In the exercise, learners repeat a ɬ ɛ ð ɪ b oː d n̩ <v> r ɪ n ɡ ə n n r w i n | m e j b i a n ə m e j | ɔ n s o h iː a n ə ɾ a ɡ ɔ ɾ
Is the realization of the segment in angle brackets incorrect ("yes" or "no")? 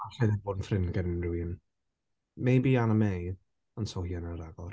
yes